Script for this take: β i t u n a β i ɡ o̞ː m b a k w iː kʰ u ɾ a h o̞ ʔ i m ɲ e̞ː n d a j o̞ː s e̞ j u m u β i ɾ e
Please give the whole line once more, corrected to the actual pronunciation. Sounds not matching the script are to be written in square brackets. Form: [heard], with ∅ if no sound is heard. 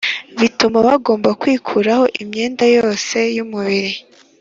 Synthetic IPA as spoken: β i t u [m] a β [a] ɡ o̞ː m b a k w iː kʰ u ɾ a h o̞ ʔ i m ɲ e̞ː n d a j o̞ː s e̞ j u m u β i ɾ [i]